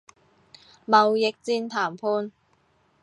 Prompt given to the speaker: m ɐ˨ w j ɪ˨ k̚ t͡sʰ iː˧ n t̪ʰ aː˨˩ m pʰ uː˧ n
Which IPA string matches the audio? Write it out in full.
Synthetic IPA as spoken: m ɐ˨ w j ɪ˨ k̚ t͡s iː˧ n t̪ʰ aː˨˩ m pʰ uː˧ n